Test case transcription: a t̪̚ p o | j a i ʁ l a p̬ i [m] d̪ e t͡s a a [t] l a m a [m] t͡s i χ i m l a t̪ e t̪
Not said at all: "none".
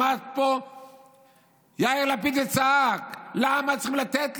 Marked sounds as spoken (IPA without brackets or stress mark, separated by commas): none, k, none